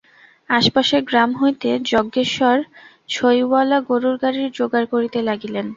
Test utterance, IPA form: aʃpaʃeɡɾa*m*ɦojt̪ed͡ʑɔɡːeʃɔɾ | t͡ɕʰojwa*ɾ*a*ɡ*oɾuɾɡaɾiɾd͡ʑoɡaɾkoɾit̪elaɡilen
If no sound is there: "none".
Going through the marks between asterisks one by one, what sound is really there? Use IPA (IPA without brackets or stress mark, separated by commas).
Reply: m, l, ɡ